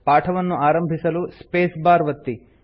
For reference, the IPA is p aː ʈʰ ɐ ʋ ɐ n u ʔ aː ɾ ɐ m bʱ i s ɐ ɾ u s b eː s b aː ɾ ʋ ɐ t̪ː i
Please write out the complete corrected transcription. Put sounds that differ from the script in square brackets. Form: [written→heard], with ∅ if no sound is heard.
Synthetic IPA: p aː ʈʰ ɐ ʋ ɐ [n→nː] u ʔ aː ɾ ɐ m bʱ i s ɐ [ɾ→l] u s [b→p] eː s b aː ɾ ʋ ɐ t̪ː i